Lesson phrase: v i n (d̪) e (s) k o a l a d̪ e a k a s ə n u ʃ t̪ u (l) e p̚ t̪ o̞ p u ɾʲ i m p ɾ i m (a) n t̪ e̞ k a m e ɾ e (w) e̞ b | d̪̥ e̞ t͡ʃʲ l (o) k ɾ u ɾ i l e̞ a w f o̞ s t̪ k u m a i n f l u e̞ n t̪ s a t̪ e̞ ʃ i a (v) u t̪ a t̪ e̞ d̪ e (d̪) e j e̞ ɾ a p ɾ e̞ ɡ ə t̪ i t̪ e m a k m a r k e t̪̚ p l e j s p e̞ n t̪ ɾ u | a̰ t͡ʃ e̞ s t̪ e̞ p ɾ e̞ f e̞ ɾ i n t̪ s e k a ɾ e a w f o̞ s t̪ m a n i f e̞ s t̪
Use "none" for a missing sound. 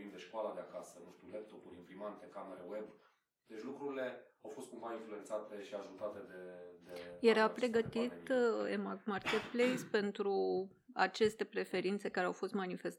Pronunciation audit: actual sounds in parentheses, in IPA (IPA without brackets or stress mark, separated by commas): d̪, ʃ, l, a, w, u, ʒ, d̪